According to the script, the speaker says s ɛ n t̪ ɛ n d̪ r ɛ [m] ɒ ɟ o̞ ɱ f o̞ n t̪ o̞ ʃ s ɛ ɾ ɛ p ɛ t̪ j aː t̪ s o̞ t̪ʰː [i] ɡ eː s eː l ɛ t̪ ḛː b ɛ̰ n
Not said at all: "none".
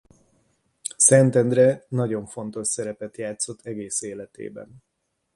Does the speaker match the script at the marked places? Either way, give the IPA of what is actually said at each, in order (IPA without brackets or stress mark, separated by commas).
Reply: n, ɛ